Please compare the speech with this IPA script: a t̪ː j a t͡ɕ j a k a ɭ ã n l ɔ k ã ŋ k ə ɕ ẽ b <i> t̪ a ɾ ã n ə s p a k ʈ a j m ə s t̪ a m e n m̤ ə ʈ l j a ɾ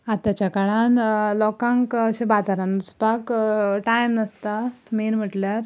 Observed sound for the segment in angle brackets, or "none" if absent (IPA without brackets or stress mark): a